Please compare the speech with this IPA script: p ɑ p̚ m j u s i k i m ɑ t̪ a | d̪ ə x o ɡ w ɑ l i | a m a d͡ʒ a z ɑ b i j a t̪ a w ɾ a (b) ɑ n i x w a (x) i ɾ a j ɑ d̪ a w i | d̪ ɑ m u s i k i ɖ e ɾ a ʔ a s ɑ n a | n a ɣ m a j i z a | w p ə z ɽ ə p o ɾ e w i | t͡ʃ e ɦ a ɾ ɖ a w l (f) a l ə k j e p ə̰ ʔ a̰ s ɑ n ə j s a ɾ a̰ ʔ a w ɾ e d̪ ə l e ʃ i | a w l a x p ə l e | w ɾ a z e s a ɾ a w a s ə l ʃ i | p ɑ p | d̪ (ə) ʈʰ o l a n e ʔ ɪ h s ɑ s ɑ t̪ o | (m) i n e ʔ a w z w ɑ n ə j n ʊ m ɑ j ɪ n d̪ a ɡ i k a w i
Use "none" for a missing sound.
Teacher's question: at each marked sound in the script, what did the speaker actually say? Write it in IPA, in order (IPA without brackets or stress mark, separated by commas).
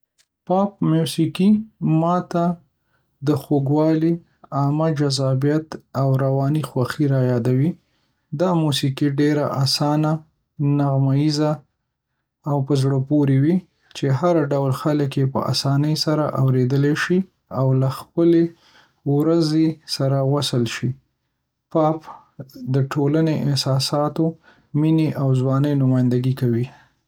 w, x, x, ə, m